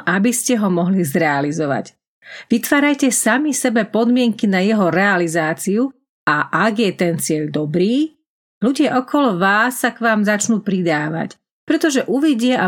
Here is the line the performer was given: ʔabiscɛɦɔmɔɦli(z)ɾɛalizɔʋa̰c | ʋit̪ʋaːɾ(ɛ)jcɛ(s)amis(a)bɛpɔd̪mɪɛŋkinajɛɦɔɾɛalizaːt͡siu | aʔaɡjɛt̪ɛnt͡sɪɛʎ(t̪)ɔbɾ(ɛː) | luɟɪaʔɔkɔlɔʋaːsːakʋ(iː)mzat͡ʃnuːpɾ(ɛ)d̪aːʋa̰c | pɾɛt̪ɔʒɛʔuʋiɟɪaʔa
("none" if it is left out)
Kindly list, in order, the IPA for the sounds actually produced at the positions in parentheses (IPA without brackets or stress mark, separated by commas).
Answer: z, a, s, ɛ, d̪, iː, aː, i